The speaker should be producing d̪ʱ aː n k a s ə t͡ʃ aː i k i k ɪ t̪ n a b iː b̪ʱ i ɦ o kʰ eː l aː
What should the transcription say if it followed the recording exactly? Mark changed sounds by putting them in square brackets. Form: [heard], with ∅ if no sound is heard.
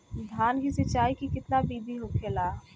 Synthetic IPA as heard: d̪ʱ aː n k [i] s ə t͡ʃ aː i k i k ɪ t̪ n a b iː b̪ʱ i ɦ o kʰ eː l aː